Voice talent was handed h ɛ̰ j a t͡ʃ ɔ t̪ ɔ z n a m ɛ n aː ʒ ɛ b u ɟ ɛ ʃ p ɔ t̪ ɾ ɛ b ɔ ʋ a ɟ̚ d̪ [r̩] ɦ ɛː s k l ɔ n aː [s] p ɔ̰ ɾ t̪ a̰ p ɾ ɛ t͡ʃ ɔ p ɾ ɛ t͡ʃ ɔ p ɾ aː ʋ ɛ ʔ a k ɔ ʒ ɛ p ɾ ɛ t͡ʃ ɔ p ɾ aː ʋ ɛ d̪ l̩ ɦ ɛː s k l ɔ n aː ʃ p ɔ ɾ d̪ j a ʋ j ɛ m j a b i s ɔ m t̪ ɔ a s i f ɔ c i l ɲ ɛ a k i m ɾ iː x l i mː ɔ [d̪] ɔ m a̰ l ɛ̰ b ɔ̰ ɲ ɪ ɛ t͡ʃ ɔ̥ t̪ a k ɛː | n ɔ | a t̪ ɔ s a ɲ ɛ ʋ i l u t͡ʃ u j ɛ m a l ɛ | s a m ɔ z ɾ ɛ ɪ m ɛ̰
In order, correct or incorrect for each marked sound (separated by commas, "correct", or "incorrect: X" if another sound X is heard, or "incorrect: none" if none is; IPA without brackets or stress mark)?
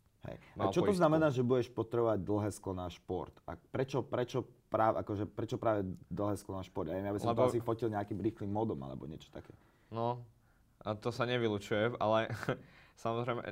incorrect: l̩, incorrect: ʃ, correct